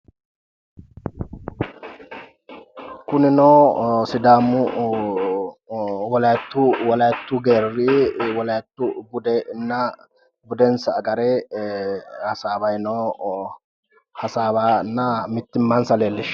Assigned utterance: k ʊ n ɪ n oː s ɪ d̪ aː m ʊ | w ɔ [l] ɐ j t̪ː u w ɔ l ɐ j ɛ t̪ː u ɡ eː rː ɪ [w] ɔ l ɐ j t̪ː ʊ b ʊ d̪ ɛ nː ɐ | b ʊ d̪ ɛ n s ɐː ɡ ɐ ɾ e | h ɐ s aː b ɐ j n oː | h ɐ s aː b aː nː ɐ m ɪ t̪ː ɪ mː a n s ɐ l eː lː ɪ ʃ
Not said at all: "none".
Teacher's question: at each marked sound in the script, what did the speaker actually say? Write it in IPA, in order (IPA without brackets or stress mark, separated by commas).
l, w